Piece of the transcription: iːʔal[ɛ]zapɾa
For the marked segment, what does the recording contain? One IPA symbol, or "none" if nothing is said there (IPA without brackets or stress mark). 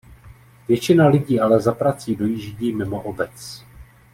ɛ